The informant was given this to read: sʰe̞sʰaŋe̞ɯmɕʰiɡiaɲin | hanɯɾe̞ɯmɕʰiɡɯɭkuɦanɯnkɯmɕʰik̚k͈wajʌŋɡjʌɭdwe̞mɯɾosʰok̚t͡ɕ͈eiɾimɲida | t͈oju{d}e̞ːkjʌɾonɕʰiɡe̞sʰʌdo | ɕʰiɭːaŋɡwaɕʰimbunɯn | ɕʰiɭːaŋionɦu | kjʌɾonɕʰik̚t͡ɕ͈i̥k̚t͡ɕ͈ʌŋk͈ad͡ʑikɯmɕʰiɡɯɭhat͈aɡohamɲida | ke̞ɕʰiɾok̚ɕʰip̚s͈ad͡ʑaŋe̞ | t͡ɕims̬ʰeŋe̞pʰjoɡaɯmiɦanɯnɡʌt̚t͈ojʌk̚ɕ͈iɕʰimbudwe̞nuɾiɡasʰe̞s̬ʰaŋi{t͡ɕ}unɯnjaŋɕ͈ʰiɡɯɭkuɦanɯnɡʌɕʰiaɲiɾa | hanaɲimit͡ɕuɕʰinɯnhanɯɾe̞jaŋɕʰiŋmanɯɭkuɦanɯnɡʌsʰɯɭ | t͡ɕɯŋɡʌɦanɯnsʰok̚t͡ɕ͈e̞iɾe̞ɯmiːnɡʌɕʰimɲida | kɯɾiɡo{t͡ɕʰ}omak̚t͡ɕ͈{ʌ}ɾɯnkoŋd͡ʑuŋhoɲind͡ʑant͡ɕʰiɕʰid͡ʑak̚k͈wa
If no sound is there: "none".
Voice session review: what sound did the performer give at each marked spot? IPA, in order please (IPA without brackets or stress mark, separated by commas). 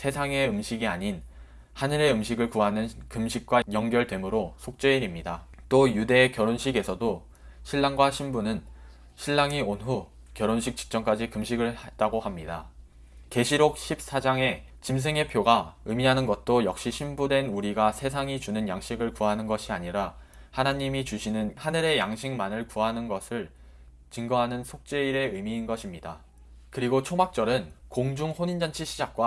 d, t͡ɕ, t͡ɕʰ, ʌ